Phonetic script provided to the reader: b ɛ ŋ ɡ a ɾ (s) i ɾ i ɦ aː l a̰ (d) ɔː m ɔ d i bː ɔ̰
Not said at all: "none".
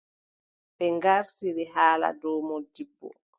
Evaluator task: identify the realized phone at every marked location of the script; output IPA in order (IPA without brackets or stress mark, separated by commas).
s, d